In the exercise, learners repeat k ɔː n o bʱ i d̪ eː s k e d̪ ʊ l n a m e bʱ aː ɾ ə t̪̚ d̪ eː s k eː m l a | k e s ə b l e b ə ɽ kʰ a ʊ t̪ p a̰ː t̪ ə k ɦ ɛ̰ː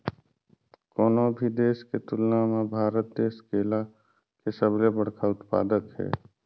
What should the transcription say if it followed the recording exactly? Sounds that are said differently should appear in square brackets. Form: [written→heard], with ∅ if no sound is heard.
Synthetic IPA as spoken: k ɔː n o bʱ i d̪ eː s k e [d̪→t̪] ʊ l n a m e bʱ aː ɾ ə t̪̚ d̪ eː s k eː [m→∅] l a | k e s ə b l e b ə ɽ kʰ a ʊ t̪ p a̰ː [t̪→d̪] ə k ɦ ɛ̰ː